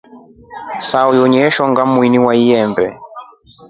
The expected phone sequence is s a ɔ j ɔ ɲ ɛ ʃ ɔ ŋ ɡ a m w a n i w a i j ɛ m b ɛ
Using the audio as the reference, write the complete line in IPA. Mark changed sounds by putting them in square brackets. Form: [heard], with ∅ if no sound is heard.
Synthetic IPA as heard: s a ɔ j ɔ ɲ ɛ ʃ ɔ ŋ ɡ a m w [i] n i w a i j ɛ m b ɛ